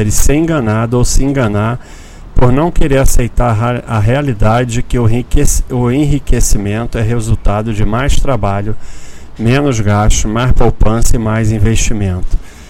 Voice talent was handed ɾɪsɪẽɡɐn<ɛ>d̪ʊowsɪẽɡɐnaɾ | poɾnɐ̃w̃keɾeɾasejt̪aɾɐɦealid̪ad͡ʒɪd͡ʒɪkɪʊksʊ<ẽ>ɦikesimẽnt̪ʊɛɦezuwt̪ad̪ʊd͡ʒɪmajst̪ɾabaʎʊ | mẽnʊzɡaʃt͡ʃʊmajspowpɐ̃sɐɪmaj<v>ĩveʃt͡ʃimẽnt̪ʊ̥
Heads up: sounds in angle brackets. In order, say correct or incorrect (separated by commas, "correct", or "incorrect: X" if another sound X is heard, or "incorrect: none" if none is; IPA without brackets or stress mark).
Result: incorrect: a, correct, incorrect: z